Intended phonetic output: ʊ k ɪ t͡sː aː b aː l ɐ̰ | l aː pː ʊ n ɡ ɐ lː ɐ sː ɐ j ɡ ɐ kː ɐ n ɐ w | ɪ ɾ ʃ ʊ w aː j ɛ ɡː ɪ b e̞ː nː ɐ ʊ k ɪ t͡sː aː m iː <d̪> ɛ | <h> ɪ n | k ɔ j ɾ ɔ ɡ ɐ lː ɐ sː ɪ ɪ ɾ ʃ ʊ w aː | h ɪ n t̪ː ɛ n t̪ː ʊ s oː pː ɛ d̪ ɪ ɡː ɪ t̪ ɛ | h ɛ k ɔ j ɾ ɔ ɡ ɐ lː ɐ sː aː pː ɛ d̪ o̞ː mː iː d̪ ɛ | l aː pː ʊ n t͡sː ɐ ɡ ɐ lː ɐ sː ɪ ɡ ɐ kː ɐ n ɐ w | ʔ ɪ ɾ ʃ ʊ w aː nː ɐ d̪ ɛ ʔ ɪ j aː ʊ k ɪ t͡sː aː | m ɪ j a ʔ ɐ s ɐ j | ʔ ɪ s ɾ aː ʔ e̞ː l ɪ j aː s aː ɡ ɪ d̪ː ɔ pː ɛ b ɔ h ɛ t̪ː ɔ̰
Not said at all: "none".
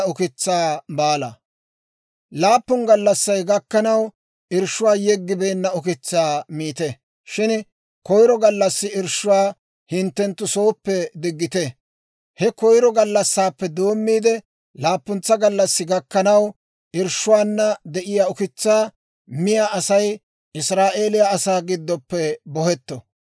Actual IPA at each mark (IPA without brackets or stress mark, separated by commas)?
t̪, ʃ